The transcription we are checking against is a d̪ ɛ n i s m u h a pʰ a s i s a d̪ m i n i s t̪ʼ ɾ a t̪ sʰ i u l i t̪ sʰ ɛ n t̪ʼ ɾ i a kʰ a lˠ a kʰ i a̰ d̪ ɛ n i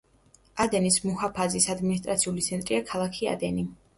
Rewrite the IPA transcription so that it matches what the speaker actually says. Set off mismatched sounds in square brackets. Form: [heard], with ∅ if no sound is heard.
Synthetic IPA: a d̪ ɛ n i s m u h a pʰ a [z] i s a d̪ m i n i s t̪ʼ ɾ a t̪ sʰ i u l i t̪ sʰ ɛ n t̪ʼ ɾ i a kʰ a lˠ a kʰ i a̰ d̪ ɛ n i